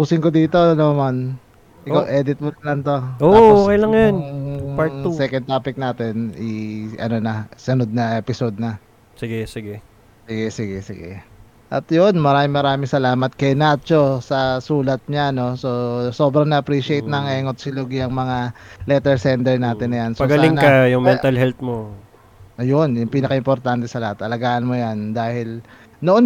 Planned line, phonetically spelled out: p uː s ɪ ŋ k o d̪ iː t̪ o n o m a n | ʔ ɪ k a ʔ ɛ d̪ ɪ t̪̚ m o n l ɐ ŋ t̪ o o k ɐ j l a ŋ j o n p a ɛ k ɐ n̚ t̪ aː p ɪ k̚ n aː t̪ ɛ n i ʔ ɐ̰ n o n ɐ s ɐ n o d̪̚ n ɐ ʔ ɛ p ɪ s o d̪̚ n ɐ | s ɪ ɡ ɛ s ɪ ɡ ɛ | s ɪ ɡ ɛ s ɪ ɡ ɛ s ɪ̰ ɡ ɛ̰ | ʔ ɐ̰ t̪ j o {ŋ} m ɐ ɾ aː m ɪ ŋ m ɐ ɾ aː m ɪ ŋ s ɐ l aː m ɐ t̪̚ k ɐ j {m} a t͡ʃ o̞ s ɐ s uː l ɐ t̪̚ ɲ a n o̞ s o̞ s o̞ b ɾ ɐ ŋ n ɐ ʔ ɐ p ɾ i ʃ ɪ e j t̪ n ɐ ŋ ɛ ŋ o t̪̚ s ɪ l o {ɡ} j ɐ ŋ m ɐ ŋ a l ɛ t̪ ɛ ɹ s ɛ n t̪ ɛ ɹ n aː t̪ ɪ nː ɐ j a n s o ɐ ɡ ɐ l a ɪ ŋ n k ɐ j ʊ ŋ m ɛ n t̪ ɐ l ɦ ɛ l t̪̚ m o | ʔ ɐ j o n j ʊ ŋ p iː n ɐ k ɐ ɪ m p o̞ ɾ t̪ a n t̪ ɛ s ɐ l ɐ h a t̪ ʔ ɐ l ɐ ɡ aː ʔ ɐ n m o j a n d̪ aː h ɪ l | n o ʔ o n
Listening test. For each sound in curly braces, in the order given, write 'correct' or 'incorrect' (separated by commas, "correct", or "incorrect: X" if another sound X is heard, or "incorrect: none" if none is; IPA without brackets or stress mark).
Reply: incorrect: n, incorrect: n, correct